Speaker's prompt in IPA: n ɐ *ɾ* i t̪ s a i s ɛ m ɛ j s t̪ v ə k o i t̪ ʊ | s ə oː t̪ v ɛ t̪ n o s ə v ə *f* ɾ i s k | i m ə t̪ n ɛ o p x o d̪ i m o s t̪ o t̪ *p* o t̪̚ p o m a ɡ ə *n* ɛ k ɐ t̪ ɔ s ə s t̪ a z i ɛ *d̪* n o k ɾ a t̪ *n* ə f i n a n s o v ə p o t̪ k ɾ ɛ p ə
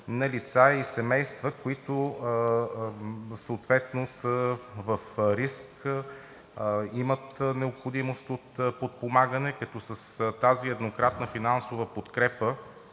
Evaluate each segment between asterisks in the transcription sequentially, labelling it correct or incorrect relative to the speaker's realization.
incorrect: l, correct, correct, correct, correct, correct

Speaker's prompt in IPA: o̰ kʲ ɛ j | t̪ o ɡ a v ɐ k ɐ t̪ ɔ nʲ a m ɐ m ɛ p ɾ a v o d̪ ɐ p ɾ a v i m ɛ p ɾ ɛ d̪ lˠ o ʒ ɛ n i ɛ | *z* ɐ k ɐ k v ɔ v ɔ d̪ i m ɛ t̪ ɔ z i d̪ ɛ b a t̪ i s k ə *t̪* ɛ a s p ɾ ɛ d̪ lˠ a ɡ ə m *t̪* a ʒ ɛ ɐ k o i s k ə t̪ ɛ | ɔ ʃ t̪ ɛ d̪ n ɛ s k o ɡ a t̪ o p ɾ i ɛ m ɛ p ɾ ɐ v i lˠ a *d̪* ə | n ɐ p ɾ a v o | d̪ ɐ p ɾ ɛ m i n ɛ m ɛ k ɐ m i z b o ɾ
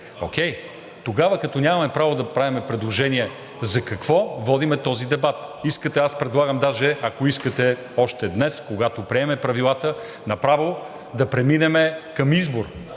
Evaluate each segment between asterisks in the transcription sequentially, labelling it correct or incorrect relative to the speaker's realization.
correct, correct, incorrect: d̪, incorrect: t̪

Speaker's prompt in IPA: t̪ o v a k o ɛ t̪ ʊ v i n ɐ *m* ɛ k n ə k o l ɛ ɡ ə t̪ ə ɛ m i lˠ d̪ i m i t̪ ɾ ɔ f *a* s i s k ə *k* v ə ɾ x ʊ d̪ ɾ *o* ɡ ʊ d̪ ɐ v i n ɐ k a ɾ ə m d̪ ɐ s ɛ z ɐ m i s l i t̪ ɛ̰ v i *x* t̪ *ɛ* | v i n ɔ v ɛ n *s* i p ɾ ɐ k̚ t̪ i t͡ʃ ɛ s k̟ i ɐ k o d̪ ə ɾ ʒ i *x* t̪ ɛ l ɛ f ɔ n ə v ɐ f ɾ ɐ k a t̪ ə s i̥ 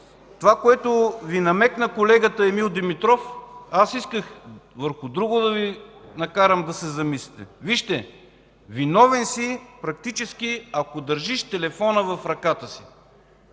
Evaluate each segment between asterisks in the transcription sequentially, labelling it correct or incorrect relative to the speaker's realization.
correct, correct, incorrect: x, incorrect: u, incorrect: ʃ, correct, correct, incorrect: ʃ

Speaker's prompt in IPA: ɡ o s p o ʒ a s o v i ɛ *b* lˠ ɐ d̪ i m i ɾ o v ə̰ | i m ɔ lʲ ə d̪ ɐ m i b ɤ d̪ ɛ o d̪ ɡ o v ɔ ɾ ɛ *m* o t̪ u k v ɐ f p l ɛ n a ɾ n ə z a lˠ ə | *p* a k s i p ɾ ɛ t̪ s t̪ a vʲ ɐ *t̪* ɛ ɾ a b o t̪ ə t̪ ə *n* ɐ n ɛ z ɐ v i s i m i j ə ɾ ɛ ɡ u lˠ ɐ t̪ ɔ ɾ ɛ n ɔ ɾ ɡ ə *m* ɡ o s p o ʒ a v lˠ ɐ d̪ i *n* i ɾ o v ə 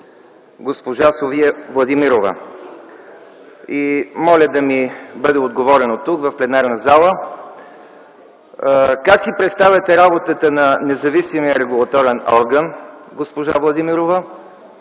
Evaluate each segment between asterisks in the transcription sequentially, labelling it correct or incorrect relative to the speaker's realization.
incorrect: v, incorrect: n, incorrect: k, correct, correct, incorrect: n, incorrect: m

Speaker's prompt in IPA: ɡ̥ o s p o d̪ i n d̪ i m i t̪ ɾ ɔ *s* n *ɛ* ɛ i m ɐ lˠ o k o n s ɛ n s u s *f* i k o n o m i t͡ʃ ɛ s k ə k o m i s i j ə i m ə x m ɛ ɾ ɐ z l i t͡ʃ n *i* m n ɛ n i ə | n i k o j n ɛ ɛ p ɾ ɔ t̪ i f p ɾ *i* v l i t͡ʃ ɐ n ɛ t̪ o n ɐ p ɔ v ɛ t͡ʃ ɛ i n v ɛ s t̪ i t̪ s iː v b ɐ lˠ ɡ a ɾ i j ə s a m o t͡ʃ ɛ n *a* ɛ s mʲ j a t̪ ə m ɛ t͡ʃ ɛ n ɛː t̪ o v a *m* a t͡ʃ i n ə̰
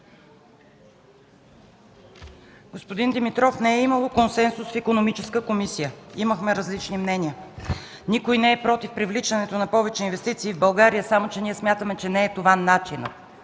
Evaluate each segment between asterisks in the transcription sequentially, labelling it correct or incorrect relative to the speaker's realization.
incorrect: f, correct, correct, correct, correct, incorrect: i, incorrect: n

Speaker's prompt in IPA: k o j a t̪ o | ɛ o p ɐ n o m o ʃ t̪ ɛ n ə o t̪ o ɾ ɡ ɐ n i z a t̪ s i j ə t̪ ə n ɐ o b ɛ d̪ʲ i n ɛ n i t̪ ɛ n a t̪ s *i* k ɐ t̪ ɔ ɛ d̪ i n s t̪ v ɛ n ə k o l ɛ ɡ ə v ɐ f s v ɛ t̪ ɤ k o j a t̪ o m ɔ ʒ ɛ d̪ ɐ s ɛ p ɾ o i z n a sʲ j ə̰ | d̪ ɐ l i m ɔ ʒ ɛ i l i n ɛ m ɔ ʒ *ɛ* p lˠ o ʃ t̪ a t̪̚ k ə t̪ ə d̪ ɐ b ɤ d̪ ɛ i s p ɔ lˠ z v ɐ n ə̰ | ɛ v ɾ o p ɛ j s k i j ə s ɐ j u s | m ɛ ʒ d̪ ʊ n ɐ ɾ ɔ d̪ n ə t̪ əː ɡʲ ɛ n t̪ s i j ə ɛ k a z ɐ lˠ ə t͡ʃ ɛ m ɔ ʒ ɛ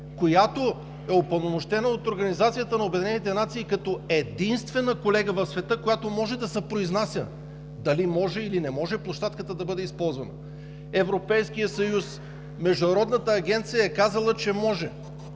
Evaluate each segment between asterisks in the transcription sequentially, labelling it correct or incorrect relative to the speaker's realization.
incorrect: iː, correct

